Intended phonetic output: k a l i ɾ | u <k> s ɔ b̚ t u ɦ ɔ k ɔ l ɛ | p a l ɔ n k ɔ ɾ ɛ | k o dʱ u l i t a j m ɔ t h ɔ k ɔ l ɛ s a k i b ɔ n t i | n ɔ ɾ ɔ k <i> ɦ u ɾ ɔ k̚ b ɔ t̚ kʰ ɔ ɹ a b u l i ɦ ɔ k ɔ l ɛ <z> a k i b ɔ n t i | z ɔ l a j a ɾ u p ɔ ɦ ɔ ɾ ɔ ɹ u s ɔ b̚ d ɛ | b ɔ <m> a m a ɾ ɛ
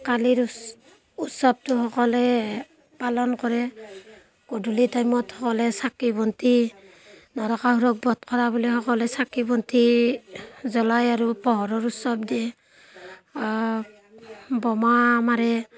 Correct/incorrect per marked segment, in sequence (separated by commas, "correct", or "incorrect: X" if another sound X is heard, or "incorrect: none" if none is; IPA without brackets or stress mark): incorrect: t, incorrect: a, incorrect: s, correct